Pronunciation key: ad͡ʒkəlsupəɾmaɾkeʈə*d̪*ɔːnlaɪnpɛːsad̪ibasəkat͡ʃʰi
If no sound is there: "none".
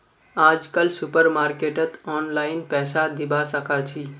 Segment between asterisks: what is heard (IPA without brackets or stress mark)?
t̪